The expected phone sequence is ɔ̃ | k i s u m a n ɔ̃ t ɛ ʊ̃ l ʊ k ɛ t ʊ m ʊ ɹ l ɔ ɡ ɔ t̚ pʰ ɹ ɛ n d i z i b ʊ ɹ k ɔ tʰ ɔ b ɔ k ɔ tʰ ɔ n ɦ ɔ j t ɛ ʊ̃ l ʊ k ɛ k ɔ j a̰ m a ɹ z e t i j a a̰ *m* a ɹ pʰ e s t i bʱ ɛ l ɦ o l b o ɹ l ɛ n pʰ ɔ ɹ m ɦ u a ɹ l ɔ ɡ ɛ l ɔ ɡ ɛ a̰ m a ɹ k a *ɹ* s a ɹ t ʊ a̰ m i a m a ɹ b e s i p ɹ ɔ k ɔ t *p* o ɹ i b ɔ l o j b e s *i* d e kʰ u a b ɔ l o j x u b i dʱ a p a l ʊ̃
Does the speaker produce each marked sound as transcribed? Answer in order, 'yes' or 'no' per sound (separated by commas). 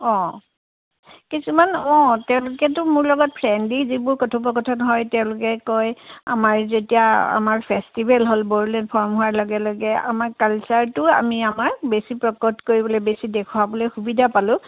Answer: yes, no, no, yes